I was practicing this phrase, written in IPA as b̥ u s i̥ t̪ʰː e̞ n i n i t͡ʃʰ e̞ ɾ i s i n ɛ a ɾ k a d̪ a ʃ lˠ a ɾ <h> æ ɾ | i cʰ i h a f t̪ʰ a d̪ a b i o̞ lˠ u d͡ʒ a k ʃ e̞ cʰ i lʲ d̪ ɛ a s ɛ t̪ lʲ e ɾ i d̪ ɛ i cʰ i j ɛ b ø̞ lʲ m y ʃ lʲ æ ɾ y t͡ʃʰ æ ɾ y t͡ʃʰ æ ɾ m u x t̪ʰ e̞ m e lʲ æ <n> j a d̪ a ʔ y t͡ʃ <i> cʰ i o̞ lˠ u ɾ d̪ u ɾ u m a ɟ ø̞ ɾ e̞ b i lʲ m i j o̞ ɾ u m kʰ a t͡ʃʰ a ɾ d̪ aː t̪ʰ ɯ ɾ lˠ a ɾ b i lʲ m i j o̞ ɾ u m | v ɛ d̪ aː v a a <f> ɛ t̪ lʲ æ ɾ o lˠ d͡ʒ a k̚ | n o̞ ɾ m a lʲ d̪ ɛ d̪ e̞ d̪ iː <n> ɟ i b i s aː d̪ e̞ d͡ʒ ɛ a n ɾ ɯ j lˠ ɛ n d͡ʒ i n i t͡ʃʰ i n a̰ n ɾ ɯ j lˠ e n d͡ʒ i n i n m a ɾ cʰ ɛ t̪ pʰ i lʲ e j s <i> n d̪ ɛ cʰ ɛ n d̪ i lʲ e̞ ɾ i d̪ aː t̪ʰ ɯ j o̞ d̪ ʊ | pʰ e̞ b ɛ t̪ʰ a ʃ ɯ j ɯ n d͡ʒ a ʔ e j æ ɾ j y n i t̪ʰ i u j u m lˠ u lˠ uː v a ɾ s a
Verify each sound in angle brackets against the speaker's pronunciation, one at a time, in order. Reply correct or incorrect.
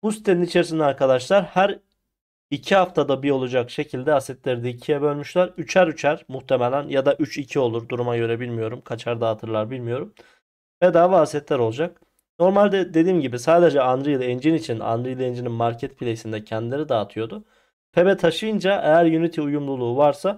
correct, correct, correct, incorrect, incorrect, correct

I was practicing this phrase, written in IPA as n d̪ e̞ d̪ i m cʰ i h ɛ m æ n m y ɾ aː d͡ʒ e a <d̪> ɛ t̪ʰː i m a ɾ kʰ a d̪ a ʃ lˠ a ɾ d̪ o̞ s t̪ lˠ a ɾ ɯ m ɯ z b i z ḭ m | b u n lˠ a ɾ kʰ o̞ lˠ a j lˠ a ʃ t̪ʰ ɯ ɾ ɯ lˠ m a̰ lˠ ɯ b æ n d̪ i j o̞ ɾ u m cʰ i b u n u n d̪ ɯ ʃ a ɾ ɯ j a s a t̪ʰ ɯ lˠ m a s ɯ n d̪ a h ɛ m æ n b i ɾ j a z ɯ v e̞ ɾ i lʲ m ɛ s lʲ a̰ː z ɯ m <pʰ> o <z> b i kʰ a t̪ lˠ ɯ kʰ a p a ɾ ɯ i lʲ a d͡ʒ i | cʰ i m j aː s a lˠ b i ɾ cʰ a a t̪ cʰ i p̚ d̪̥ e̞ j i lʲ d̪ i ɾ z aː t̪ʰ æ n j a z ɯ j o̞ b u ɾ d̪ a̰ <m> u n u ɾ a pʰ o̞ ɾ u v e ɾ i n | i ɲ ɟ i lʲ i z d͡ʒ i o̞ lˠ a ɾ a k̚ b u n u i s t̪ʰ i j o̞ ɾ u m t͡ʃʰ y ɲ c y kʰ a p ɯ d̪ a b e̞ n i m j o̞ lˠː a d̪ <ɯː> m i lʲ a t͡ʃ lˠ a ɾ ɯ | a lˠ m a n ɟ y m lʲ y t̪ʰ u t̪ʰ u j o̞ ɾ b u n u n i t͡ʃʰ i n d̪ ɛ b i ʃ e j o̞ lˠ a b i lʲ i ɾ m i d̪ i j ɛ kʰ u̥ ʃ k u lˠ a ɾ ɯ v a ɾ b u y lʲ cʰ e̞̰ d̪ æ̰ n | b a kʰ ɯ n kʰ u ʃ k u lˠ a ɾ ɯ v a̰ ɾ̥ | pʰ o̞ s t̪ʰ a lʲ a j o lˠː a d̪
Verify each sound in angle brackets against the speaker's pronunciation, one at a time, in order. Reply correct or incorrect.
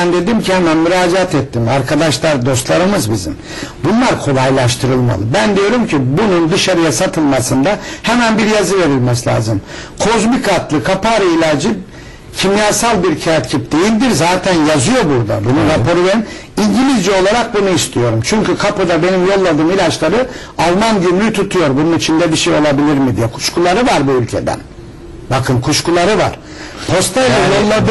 incorrect, incorrect, correct, incorrect, correct

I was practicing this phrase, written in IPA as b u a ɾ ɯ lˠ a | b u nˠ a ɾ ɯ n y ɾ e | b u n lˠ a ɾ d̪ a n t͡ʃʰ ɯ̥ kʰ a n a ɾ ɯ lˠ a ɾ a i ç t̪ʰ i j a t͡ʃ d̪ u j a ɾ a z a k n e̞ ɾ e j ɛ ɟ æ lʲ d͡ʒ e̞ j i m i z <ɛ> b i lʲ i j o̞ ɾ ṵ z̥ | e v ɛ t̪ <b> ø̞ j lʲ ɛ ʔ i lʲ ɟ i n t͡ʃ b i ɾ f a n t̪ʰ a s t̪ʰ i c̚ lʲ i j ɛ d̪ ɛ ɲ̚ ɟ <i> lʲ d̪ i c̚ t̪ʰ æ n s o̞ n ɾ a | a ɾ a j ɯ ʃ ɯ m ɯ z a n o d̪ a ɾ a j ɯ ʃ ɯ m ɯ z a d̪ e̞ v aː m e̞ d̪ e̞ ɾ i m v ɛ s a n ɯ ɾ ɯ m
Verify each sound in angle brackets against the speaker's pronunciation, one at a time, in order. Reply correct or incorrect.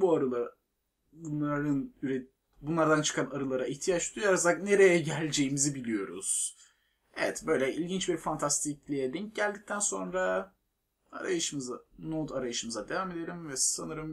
incorrect, correct, incorrect

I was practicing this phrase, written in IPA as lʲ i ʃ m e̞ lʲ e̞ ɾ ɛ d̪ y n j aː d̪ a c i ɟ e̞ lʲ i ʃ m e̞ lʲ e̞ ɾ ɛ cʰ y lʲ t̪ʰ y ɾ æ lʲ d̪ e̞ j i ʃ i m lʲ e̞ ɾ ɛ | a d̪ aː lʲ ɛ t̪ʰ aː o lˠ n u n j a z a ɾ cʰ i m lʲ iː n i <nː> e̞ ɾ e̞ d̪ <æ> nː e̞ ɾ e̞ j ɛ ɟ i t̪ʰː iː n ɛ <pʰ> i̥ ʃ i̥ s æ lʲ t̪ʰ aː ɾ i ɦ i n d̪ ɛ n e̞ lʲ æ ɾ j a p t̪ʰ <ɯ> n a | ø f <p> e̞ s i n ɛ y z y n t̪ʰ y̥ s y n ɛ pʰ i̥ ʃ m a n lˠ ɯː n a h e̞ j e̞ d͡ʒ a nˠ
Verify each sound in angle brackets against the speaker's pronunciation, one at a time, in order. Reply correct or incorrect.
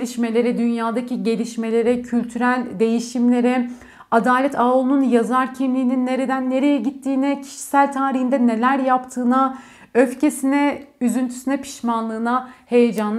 correct, correct, incorrect, incorrect, incorrect

